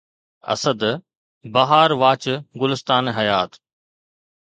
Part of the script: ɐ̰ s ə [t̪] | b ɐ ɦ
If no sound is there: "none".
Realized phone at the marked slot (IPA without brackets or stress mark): d̪